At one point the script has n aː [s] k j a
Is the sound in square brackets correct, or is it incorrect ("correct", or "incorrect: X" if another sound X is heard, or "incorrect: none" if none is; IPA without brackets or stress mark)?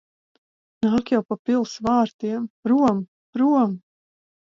incorrect: none